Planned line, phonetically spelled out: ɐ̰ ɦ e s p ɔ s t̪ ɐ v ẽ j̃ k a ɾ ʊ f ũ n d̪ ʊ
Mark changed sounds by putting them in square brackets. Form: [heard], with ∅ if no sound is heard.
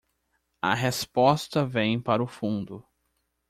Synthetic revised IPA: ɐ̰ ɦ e s p ɔ s t̪ ɐ v ẽ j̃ [p] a ɾ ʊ f ũ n d̪ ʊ